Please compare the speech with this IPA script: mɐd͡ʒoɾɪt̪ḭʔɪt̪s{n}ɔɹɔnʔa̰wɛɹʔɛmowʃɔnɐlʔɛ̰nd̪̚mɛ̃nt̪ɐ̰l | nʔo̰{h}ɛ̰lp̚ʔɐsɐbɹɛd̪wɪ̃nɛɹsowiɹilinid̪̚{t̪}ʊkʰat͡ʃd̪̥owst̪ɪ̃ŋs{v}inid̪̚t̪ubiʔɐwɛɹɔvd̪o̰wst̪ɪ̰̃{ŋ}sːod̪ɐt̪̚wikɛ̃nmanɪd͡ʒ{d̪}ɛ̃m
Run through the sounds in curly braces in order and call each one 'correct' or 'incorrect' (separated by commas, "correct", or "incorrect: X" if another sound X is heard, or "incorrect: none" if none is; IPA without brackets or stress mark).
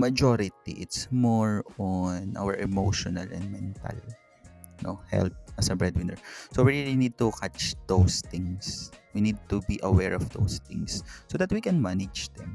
incorrect: m, correct, correct, incorrect: w, correct, correct